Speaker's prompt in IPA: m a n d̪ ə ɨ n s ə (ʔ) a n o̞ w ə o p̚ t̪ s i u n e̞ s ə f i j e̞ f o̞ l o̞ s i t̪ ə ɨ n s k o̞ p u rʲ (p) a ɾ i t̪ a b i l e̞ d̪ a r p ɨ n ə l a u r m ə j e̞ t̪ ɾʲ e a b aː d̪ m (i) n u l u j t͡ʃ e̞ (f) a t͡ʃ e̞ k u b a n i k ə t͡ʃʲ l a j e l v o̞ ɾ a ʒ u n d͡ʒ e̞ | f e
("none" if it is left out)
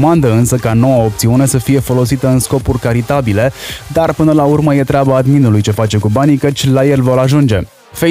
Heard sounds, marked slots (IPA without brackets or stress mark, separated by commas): k, k, i, f